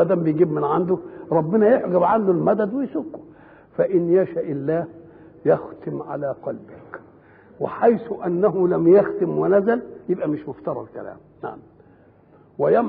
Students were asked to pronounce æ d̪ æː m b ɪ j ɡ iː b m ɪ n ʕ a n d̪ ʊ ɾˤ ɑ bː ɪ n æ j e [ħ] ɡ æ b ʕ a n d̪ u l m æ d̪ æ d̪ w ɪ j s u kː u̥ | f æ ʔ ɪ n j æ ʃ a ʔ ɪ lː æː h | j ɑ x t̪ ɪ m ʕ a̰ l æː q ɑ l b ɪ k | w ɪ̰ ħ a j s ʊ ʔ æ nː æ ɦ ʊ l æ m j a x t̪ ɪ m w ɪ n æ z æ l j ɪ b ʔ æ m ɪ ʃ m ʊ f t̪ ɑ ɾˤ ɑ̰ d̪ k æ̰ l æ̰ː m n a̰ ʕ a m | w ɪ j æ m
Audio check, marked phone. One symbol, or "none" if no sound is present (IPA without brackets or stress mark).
ħ